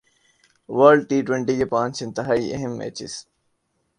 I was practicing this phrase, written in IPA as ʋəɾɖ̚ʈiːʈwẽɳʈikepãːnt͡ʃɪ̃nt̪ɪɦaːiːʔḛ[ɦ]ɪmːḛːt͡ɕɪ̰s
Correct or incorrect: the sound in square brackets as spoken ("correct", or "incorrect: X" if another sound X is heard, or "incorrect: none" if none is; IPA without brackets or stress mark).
correct